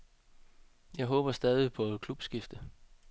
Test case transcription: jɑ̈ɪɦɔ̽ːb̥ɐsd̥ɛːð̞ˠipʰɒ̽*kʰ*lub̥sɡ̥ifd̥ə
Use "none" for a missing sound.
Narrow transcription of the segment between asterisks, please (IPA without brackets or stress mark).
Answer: kʰ